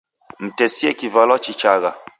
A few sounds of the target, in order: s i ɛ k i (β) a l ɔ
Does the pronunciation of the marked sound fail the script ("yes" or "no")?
yes